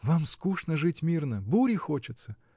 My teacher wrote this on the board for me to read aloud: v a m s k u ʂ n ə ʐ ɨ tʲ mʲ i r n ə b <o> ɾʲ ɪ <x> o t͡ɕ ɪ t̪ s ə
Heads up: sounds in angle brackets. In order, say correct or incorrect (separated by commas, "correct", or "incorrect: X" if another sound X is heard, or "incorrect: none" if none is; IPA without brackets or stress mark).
incorrect: u, correct